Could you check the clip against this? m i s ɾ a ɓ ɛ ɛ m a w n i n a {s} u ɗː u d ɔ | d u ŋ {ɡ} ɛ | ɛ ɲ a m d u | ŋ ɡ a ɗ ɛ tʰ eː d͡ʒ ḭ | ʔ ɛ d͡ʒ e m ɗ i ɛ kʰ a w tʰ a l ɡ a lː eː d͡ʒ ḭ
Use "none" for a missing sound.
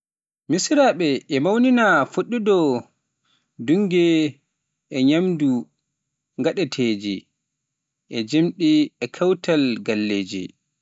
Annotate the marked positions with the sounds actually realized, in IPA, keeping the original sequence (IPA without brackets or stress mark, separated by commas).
f, ɡ